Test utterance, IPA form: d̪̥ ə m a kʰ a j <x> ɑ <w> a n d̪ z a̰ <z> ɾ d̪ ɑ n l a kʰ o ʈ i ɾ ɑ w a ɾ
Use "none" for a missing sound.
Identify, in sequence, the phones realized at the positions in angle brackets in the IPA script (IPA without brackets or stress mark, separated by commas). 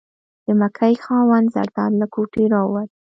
x, w, none